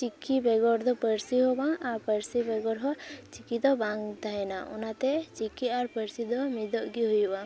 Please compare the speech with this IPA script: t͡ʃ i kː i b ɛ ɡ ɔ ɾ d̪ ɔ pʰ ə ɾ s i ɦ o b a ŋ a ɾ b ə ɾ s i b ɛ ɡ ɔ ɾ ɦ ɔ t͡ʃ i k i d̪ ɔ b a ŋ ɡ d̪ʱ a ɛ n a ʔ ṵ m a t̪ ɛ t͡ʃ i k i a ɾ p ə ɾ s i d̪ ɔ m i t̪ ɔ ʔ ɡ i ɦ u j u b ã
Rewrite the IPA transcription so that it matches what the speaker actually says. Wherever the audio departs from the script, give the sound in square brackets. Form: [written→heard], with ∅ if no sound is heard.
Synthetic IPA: t͡ʃ i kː i b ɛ ɡ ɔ ɾ d̪ ɔ [pʰ→p] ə ɾ s i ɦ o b a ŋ a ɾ [b→p] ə ɾ s i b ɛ ɡ ɔ ɾ ɦ ɔ t͡ʃ i k i d̪ ɔ b a ŋ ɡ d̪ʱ a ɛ n a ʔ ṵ [m→n] a t̪ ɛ t͡ʃ i k i a ɾ p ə ɾ s i d̪ ɔ m i [t̪→d̪] ɔ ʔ ɡ i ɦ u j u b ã

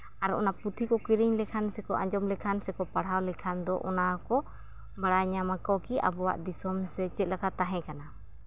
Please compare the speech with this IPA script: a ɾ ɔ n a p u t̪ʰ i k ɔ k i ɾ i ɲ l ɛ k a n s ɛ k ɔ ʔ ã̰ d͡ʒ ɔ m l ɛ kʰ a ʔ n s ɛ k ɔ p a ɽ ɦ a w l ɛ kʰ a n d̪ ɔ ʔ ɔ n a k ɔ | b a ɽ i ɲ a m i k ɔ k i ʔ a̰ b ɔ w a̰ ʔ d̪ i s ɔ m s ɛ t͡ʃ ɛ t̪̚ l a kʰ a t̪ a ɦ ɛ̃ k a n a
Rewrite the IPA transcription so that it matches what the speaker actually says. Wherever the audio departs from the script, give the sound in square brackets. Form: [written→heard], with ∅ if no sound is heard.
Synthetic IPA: a ɾ ɔ n a p u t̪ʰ i k ɔ k i ɾ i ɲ l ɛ [k→kʰ] a n s ɛ k ɔ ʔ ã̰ d͡ʒ ɔ m l ɛ kʰ a [ʔ→∅] n s ɛ k ɔ p a ɽ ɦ a w l ɛ kʰ a n d̪ ɔ ʔ ɔ n a k ɔ | b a ɽ [i→a] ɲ a m [i→a] k ɔ k i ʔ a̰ b ɔ w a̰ ʔ d̪ i s ɔ m s ɛ t͡ʃ ɛ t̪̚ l a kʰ a t̪ a ɦ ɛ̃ k a n a

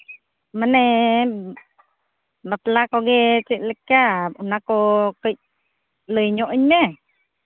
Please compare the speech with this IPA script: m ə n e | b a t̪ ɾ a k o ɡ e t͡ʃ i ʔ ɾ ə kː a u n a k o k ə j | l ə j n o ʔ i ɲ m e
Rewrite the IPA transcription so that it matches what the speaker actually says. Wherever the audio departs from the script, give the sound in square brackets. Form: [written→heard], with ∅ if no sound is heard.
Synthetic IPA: m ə n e | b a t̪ [ɾ→l] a k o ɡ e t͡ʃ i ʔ [ɾ→l] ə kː a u n a k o k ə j | l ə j [n→ɲ] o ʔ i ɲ m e

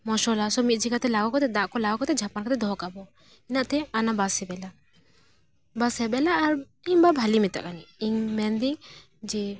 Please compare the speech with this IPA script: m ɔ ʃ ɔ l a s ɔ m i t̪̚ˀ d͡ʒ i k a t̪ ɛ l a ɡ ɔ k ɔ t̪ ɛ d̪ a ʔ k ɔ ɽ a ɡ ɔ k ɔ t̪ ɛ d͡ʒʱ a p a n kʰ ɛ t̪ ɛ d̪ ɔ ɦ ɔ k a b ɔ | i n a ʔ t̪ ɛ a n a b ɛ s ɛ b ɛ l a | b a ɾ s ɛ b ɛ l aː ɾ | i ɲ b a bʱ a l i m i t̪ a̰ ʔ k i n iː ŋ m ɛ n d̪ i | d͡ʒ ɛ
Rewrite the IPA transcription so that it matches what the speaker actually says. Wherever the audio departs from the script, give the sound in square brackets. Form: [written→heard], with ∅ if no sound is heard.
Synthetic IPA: m ɔ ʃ ɔ l a s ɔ m i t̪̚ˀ d͡ʒ i k a t̪ ɛ l a ɡ ɔ k ɔ t̪ ɛ d̪ a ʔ k ɔ [ɽ→l] a ɡ ɔ k ɔ t̪ ɛ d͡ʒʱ a p a n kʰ [ɛ→a] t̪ ɛ d̪ ɔ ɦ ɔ k a b ɔ | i n a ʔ t̪ ɛ a n a b [ɛ→a] s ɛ b ɛ l a | b a [ɾ→∅] s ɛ b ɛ l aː ɾ | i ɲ b a bʱ a l i m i t̪ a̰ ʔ k [i→a] n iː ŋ m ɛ n d̪ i | d͡ʒ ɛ

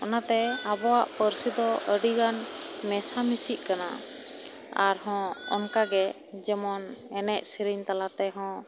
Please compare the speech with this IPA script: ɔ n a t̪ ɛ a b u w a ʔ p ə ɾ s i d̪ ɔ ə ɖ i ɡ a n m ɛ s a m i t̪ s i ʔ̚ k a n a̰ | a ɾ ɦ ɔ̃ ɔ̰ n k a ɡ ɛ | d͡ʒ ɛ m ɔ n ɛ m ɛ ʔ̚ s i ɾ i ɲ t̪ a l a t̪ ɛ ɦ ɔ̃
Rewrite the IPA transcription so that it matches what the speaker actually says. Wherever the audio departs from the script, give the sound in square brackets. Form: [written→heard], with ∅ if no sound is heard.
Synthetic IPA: ɔ n a t̪ ɛ a b [u→ɔ] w a ʔ p ə ɾ s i d̪ ɔ ə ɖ i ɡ a n m ɛ s a m i [t̪→∅] s i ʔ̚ k a n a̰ | a ɾ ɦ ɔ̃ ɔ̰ n k a ɡ ɛ | d͡ʒ ɛ m ɔ n ɛ [m→n] ɛ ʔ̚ s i ɾ i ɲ t̪ a l a t̪ ɛ ɦ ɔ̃

